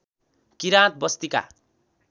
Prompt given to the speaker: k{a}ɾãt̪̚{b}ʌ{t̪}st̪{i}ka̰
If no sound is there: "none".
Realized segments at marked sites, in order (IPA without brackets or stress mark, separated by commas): i, b, none, i